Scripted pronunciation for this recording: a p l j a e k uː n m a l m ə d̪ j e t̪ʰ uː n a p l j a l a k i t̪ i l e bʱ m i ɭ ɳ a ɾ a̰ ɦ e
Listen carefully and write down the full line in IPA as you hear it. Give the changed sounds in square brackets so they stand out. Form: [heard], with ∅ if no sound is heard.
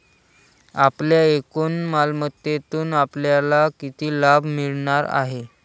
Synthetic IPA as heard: a p l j a e k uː n m a l m ə [t̪] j e [t̪] uː n a p l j a l a k i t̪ [iː] l [a] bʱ m i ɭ ɳ a ɾ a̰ ɦ e

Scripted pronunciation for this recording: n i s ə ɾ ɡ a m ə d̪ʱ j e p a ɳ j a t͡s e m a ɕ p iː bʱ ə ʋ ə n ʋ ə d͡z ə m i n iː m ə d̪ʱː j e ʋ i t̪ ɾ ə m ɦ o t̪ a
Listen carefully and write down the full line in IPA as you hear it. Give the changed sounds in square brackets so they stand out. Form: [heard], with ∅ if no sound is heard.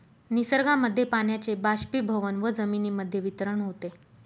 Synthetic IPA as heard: n i s ə ɾ ɡ a m ə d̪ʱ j e p a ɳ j a t͡s e [b] a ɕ p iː bʱ ə ʋ ə n ʋ ə d͡z ə m i n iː m ə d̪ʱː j e ʋ i t̪ ɾ ə [ɳ] ɦ o t̪ [e]

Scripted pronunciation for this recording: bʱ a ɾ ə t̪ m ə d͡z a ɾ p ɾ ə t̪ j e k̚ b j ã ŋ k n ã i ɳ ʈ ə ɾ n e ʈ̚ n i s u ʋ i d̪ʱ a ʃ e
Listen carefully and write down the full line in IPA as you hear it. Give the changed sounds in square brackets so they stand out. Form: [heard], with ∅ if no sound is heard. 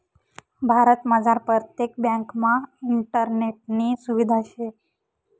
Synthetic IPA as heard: bʱ a ɾ ə t̪ m ə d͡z a ɾ p ɾ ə t̪ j e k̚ b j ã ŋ k [m] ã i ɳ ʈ ə ɾ n e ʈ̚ n i s u ʋ i d̪ʱ a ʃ e

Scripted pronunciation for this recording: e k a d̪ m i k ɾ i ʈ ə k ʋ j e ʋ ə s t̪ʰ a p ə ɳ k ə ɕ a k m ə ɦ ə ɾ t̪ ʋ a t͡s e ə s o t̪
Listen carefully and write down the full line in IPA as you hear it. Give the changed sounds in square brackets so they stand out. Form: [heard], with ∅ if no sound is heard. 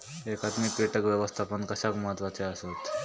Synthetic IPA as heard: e k a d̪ m i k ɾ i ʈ ə k ʋ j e ʋ ə s t̪ʰ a p ə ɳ k ə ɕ a k m ə ɦ ə [∅] t̪ ʋ a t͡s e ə s o t̪

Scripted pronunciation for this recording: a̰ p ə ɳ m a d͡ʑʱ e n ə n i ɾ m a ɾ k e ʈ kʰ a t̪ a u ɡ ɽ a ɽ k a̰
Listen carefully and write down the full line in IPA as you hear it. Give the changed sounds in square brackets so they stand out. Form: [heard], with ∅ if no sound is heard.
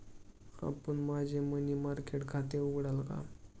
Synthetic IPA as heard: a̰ p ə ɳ m a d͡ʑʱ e [m] ə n i [∅] m a ɾ k e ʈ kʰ a t̪ [e] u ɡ ɽ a [l] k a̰

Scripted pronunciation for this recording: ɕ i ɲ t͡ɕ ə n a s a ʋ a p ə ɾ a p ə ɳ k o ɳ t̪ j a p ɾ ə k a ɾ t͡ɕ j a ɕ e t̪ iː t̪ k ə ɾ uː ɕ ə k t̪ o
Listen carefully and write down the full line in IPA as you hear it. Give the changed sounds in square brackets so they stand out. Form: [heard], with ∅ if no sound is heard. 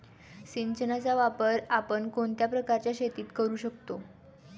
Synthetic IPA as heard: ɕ i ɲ t͡ɕ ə n a [t͡s] a ʋ a p ə ɾ a p ə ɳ k o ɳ t̪ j a p ɾ ə k a ɾ t͡ɕ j a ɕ e t̪ iː t̪ k ə ɾ uː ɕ ə k t̪ o

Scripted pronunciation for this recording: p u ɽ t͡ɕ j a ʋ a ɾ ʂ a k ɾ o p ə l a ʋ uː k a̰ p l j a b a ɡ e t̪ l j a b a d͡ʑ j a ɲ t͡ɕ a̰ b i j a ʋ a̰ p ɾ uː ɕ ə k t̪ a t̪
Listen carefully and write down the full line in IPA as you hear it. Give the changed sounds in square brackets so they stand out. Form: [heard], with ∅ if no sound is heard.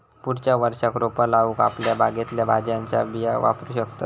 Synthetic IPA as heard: p u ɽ t͡ɕ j a ʋ [ə] ɾ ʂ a k ɾ o p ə l a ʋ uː k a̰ p l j a b a ɡ e t̪ l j a b a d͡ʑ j a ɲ t͡ɕ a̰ b i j a ʋ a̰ p ɾ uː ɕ ə k t̪ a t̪

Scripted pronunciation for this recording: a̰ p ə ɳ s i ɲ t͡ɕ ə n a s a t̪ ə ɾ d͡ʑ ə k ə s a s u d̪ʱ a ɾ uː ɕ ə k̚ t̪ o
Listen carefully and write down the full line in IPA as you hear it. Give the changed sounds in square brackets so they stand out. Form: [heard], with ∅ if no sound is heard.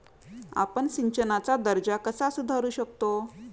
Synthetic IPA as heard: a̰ p ə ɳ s i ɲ t͡ɕ ə n a [t͡s] a [d̪] ə ɾ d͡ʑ [a] k ə s a s u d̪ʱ a ɾ uː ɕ ə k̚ t̪ o

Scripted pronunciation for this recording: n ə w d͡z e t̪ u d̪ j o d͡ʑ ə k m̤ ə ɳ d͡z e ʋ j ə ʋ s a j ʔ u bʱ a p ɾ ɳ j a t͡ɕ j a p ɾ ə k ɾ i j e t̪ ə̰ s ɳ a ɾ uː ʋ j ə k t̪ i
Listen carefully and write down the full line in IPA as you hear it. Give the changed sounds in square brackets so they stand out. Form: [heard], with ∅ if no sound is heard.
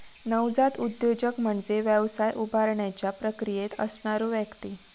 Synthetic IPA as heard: n ə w d͡z [a] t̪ u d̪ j o d͡ʑ ə k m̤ ə ɳ d͡z e ʋ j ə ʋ s a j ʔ u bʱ a [∅] ɾ ɳ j a t͡ɕ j a p ɾ ə k ɾ i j e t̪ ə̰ s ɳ a ɾ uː ʋ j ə k t̪ i

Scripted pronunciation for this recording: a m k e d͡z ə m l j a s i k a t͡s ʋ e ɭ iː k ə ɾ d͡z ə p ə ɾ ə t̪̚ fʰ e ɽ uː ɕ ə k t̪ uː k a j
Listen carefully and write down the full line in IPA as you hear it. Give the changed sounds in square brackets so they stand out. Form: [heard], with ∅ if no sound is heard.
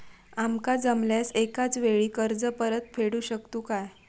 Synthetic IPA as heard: a m k [a] d͡z ə m l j a s [e] k a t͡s ʋ e ɭ iː k ə ɾ d͡z ə p ə ɾ ə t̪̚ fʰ e ɽ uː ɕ ə k t̪ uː k a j

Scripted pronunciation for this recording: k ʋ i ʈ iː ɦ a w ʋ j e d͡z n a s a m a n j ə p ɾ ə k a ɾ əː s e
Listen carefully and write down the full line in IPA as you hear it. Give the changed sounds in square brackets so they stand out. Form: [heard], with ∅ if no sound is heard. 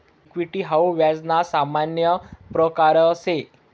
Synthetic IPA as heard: k ʋ i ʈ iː ɦ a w ʋ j [a] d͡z n a s a m a n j ə p ɾ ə k a ɾ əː s e

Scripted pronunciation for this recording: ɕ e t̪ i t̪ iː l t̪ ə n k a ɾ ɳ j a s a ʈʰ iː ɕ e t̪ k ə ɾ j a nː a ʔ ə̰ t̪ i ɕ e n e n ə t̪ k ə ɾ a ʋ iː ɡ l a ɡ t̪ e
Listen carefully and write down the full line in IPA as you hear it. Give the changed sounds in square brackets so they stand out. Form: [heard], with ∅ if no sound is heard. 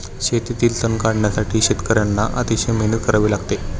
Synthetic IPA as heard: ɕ e t̪ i t̪ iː l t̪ ə n k a [ɽ] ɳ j a s a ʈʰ iː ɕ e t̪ k ə ɾ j a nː a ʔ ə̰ t̪ i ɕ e [m] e n ə t̪ k ə ɾ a ʋ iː [∅] l a ɡ t̪ e

